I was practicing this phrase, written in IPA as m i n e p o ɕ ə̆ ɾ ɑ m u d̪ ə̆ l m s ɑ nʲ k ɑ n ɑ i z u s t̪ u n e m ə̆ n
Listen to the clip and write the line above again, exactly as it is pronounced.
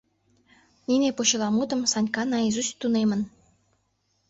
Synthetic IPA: n i n e p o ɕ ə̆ l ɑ m u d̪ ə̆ m s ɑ nʲ k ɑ n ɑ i z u s t̪ u n e m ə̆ n